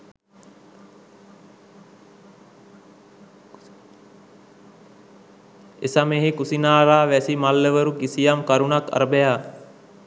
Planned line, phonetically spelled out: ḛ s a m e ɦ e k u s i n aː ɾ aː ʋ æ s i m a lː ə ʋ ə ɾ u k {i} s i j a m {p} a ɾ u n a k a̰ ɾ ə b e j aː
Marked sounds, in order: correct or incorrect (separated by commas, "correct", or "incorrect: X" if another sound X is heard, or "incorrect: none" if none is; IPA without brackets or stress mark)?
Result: correct, incorrect: k